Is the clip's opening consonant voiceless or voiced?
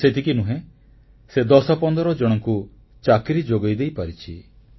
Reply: voiceless